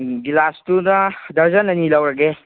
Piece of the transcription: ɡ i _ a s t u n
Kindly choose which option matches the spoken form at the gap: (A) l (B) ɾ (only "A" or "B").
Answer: A